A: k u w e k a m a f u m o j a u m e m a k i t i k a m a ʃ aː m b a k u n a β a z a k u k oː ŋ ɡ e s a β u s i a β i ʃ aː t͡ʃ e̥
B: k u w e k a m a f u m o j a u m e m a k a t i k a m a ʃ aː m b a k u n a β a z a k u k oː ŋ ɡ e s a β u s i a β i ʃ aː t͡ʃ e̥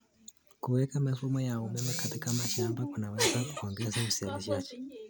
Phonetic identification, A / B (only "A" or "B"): B